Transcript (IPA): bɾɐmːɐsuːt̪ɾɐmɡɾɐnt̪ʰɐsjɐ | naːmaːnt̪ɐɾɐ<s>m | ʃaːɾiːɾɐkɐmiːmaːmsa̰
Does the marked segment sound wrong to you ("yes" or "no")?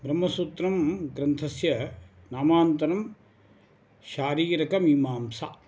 yes